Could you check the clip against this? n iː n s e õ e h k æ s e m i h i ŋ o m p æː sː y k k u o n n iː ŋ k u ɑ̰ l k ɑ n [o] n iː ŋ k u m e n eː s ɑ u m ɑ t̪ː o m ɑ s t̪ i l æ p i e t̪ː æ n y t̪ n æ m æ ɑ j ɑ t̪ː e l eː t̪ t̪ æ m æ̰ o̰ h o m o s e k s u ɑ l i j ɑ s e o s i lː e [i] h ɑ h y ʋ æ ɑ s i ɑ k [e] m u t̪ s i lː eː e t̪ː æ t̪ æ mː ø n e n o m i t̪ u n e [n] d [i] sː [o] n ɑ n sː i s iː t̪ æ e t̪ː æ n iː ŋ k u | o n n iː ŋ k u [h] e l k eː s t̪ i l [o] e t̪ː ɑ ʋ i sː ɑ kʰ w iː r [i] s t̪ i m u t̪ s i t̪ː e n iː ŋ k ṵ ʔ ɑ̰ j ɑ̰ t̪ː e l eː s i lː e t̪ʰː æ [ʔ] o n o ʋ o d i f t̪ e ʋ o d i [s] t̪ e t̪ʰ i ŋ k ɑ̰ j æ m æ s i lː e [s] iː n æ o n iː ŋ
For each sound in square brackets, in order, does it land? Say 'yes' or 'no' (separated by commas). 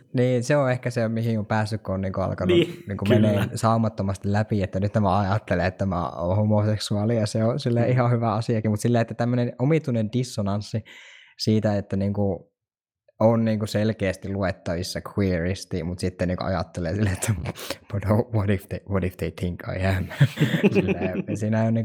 no, yes, no, yes, yes, yes, no, no, yes, no, no, yes